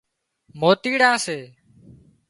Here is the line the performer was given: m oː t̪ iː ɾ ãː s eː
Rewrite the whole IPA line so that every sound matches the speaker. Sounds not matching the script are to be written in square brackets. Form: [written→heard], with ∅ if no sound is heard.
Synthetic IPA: m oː t̪ iː [ɾ→ɽ] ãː s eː